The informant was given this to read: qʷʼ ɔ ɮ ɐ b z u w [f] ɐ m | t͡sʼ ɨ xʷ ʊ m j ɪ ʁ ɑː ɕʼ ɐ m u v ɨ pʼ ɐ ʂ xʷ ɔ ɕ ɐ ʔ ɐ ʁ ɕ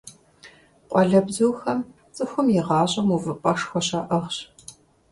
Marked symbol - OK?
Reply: no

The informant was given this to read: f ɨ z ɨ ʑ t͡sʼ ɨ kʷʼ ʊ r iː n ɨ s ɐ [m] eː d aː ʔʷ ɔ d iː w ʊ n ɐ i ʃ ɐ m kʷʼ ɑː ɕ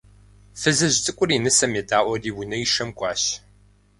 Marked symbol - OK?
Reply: yes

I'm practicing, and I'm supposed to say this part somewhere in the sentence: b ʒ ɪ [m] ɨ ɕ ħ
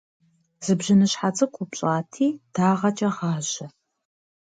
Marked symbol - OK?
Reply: no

